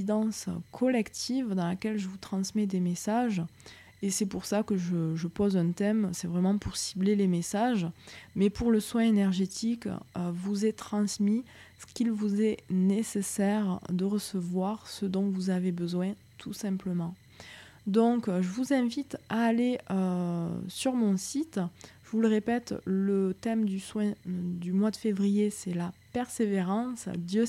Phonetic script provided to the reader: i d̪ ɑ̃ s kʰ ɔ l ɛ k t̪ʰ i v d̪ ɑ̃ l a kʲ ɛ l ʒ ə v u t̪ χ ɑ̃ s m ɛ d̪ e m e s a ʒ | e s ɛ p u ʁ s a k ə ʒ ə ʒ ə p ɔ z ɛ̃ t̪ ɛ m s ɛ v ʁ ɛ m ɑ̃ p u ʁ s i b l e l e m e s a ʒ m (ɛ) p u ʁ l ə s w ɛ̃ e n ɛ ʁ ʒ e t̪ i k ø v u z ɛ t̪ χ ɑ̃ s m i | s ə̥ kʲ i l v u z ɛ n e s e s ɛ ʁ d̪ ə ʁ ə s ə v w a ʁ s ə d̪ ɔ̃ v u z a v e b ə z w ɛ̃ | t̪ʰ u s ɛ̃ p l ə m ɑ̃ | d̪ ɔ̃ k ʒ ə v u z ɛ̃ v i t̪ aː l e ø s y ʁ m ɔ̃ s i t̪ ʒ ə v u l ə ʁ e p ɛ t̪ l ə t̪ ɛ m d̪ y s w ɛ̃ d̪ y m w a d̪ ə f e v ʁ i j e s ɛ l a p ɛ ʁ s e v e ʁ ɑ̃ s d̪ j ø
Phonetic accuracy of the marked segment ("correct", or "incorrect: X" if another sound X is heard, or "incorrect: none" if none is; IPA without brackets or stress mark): correct